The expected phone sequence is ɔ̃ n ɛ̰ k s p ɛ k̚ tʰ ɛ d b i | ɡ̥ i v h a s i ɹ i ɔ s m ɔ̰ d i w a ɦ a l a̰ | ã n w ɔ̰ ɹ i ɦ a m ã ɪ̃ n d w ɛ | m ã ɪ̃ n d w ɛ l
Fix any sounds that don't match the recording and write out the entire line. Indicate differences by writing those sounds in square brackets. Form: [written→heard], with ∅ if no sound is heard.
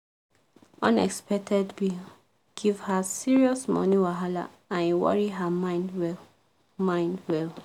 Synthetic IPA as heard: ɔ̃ n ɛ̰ k s p ɛ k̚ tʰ ɛ d b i | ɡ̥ i v h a s i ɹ i ɔ s m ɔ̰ [d→n] i w a ɦ a l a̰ | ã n w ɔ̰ ɹ i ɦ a m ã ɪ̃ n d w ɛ | m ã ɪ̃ n d w ɛ l